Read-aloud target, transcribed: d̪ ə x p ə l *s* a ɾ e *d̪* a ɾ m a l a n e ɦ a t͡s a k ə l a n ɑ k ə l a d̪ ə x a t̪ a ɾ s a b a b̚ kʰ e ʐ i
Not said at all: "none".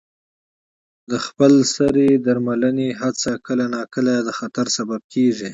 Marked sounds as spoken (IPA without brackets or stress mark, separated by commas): s, d̪